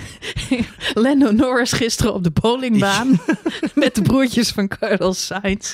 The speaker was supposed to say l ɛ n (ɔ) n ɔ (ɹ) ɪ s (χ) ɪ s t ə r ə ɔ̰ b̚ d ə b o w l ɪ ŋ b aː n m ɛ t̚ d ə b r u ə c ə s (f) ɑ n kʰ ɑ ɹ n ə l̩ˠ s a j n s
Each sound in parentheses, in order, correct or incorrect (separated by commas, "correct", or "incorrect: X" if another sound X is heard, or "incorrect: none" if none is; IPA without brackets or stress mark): incorrect: o, correct, correct, correct